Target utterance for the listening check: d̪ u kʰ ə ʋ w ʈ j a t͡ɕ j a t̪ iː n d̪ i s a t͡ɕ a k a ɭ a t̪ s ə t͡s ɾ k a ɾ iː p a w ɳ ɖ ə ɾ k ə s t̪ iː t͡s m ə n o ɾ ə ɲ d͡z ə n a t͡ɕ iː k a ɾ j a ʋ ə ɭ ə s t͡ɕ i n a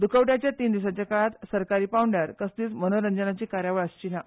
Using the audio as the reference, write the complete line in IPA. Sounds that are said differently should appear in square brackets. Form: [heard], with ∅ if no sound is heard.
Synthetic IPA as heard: d̪ u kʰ ə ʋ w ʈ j a t͡ɕ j a t̪ iː n d̪ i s a t͡ɕ a k a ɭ a t̪ s ə [∅] ɾ k a ɾ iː p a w ɳ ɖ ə ɾ k ə s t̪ iː t͡s m ə n o ɾ ə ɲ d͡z ə n a t͡ɕ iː k a ɾ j a ʋ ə ɭ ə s t͡ɕ i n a

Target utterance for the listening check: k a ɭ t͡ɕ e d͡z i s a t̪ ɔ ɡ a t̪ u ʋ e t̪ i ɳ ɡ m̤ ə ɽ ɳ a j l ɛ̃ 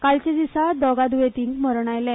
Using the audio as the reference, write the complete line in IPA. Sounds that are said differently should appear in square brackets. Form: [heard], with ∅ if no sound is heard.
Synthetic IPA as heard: k a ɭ t͡ɕ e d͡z i s a [d̪] ɔ ɡ a [d̪] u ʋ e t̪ i [ŋ] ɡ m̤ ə [ɾ] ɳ a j l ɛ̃

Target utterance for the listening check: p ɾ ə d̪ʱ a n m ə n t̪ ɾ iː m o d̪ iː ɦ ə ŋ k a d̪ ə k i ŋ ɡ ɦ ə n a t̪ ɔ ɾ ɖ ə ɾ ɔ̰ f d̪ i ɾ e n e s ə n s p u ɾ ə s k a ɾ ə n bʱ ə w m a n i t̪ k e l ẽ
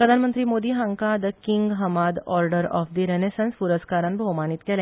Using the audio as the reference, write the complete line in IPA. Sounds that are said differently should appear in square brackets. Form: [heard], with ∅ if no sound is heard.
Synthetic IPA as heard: p ɾ ə d̪ʱ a n m ə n t̪ ɾ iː m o d̪ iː ɦ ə ŋ k a d̪ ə k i ŋ ɡ ɦ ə [m] a [d̪] ɔ ɾ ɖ ə ɾ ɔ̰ f d̪ i ɾ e n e s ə n s p u ɾ ə s k a ɾ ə n bʱ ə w m a n i t̪ k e l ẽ

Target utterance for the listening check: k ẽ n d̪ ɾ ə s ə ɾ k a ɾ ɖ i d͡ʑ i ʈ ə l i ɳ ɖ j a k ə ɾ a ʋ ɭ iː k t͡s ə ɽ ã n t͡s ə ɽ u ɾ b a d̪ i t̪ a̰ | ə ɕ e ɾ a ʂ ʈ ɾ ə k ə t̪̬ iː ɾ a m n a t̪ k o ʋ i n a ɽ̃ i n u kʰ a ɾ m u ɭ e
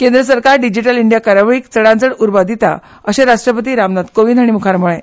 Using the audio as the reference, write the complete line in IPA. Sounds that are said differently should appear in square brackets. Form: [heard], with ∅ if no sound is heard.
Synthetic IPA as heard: k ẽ n d̪ ɾ ə s ə ɾ k a ɾ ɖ i d͡ʑ i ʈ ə l i ɳ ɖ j a k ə ɾ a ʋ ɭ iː k t͡s ə ɽ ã n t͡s ə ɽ u ɾ b a d̪ i t̪ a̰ | ə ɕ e ɾ a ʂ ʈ ɾ ə [p] ə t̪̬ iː ɾ a m n a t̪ k o ʋ i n a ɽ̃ i [m] u kʰ a ɾ m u ɭ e

